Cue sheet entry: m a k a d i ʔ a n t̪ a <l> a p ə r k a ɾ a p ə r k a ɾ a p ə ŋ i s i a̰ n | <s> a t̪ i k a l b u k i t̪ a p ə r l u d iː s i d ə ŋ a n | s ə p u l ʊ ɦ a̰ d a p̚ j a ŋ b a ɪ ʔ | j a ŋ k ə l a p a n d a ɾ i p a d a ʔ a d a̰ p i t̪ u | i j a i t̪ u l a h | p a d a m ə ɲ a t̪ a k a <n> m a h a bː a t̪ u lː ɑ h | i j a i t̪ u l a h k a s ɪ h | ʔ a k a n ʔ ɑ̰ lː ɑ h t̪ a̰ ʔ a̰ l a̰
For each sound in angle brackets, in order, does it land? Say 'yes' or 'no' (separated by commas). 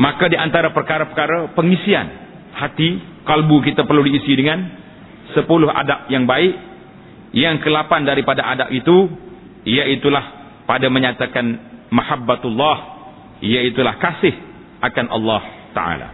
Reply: no, no, yes